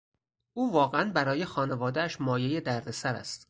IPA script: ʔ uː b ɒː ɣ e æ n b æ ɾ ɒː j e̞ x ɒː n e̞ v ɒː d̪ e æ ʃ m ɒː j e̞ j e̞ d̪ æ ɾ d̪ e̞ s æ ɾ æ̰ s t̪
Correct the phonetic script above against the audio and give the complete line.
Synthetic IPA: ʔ uː v ɒː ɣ e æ n b æ ɾ ɒː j e̞ x ɒː n e̞ v ɒː d̪ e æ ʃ m ɒː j e̞ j e̞ d̪ æ ɾ d̪ e̞ s æ ɾ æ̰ s t̪